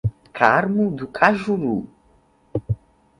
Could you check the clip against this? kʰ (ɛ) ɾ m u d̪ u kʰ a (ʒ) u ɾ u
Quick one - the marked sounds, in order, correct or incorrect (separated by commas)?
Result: incorrect, correct